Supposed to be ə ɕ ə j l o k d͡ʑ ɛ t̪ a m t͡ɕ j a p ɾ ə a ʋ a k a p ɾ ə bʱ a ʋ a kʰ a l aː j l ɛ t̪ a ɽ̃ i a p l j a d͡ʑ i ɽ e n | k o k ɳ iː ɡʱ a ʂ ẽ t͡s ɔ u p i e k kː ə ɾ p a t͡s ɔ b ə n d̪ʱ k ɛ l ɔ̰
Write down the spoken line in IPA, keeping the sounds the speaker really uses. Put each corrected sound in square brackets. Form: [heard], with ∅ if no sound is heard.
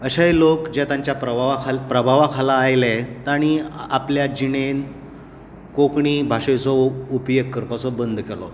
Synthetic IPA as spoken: ə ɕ [a] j l o k d͡ʑ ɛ t̪ a [ɲ] t͡ɕ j a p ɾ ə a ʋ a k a p ɾ ə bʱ a ʋ a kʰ a l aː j l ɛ t̪ a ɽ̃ i a p l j a d͡ʑ i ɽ e n | k o k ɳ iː [bʱ] a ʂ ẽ t͡s ɔ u p [j] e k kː ə ɾ p a t͡s ɔ b ə n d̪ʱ k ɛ l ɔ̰

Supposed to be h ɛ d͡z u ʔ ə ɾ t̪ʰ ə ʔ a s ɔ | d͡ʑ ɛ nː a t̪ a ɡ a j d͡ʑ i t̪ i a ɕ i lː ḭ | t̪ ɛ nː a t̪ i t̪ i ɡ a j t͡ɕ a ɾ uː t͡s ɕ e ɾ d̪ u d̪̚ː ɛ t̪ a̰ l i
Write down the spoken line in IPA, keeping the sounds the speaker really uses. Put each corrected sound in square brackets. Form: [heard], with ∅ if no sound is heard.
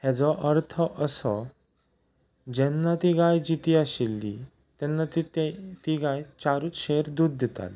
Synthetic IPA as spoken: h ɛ d͡z [ɔ] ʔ ə ɾ t̪ʰ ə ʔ [ə] s ɔ | d͡ʑ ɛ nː a t̪ [i] ɡ a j d͡ʑ i t̪ i a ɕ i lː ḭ | t̪ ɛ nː a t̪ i t̪ i ɡ a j t͡ɕ a ɾ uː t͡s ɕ e ɾ d̪ u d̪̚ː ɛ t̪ a̰ l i

